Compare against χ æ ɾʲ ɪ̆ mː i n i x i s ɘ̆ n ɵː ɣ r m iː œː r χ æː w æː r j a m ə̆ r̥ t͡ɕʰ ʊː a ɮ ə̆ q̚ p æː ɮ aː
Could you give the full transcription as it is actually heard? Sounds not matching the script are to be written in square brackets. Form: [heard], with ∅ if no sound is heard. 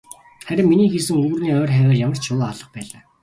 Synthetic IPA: χ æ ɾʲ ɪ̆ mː i n [iː] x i s ɘ̆ [ŋ] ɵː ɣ r [n] iː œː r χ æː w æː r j a m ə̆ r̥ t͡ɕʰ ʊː a ɮ ə̆ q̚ p æː ɮ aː